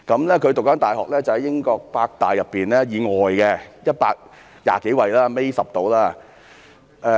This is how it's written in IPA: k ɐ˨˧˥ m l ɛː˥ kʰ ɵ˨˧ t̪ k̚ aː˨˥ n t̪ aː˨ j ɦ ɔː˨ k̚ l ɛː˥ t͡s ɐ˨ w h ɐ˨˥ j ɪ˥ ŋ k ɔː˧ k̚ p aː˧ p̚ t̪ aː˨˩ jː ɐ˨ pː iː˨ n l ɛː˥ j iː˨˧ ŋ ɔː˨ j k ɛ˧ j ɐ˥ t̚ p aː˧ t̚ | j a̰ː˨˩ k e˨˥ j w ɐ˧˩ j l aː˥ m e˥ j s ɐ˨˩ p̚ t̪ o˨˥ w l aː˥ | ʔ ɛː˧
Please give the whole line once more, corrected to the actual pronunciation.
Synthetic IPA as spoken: k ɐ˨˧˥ m l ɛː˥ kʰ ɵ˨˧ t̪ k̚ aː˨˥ n t̪ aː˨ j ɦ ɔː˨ k̚ l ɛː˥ t͡s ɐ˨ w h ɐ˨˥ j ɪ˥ ŋ k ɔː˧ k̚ p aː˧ k̚ t̪ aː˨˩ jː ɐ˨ pː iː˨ n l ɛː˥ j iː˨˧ ŋ ɔː˨ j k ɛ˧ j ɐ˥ t̚ p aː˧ k̚ | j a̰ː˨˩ k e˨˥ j w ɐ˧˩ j l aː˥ m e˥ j s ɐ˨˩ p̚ t̪ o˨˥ w l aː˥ | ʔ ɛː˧